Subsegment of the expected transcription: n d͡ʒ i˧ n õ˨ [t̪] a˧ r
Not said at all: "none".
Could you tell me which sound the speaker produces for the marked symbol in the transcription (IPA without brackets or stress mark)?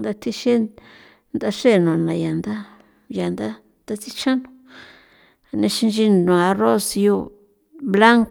none